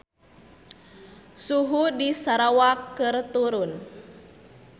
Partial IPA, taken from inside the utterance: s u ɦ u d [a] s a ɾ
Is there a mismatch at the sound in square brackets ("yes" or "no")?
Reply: yes